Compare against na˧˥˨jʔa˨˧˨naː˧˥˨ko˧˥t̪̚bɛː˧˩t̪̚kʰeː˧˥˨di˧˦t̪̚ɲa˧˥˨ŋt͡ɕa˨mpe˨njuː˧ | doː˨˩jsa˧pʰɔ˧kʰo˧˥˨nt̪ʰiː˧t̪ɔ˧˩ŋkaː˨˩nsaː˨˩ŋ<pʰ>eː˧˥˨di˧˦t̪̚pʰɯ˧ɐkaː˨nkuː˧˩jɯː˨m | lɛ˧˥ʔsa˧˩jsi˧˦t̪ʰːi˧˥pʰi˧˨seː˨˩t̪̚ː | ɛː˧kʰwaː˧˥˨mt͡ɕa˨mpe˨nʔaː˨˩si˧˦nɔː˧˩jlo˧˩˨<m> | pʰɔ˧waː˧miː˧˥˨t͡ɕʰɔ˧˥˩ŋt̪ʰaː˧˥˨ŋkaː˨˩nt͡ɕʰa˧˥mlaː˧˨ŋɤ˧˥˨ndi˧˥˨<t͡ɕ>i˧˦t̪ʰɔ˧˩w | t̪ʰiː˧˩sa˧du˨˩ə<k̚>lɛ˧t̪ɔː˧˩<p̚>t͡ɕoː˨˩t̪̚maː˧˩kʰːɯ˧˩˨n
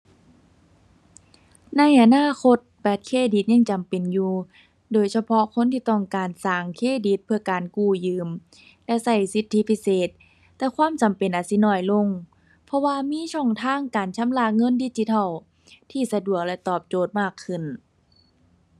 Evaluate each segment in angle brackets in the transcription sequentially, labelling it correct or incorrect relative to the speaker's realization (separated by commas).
incorrect, incorrect, correct, correct, correct